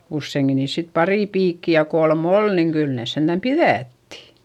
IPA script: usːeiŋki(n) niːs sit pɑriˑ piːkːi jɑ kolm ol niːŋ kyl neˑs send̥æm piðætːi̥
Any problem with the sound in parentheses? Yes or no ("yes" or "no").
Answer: no